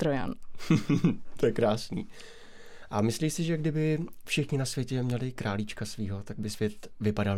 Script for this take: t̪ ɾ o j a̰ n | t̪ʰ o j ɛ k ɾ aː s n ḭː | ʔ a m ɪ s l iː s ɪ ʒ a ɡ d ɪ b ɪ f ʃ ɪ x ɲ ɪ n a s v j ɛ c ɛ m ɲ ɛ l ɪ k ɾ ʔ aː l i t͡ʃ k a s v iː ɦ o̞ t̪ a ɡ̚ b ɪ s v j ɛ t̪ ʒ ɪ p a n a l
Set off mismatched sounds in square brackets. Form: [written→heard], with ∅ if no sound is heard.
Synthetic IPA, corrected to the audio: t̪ ɾ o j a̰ n | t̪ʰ o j ɛ k ɾ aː s n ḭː | ʔ a m ɪ s l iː s ɪ ʒ [a→ɛ] ɡ d ɪ b ɪ f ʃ ɪ x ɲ ɪ n a s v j ɛ c ɛ m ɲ ɛ l ɪ k ɾ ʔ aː l i t͡ʃ k a s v iː ɦ o̞ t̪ a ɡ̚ b ɪ s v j ɛ t̪ [ʒ→v] ɪ p a [n→d] a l